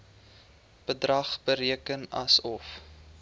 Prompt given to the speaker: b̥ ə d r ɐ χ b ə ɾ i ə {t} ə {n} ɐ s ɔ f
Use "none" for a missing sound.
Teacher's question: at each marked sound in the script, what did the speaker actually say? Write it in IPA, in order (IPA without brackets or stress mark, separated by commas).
k, n